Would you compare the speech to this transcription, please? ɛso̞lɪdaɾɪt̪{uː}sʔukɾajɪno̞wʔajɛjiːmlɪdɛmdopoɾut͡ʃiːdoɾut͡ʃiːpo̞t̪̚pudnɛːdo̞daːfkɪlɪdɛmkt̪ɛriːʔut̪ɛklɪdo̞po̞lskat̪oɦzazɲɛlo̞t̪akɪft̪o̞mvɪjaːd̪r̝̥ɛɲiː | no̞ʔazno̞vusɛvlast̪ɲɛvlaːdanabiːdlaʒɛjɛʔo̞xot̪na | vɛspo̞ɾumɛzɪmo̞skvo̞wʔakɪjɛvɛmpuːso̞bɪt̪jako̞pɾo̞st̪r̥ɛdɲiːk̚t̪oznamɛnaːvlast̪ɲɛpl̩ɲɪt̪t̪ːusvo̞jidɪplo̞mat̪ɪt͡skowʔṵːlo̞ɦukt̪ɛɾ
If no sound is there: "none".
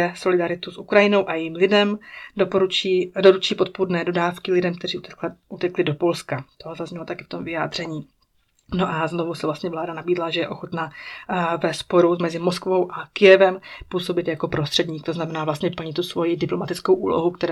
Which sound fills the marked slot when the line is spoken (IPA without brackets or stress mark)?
u